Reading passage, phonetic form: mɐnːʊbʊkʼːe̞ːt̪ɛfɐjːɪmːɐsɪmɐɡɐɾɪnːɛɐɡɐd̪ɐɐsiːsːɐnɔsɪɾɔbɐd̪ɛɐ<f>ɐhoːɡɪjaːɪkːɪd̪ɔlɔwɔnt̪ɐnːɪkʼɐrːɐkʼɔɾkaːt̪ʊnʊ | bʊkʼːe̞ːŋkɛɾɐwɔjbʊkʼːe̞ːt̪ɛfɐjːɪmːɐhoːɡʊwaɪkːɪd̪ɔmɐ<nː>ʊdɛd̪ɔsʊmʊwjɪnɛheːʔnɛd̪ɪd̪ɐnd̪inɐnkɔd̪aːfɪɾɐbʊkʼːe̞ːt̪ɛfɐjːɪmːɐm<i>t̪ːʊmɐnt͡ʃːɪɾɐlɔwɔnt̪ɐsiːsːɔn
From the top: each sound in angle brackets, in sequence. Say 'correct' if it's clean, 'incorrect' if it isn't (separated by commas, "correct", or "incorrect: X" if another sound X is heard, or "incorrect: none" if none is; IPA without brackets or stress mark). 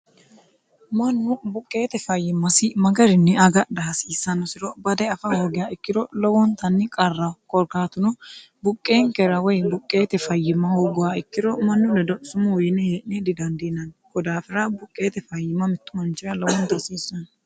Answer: correct, correct, incorrect: ɪ